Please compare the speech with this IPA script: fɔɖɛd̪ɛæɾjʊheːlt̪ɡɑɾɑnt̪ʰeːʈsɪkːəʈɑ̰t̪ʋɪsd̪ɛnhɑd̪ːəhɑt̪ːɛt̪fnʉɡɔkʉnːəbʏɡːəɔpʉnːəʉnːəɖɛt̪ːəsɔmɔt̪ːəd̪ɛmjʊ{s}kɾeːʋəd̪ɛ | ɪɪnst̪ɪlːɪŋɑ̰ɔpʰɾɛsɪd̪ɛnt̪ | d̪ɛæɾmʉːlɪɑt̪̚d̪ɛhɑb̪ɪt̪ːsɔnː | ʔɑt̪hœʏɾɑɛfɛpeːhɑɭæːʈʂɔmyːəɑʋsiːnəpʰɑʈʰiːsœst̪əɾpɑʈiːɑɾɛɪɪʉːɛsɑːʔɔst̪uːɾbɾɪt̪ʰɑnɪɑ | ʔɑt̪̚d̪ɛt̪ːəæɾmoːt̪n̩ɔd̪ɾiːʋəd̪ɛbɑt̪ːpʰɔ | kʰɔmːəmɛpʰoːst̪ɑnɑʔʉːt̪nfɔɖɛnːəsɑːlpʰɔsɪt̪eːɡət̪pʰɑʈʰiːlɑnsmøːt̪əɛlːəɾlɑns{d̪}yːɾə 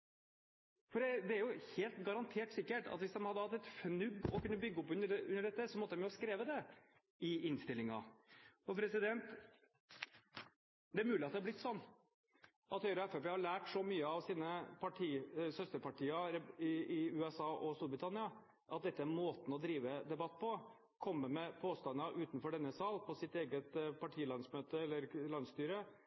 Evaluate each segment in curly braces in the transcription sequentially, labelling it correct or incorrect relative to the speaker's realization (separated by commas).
correct, incorrect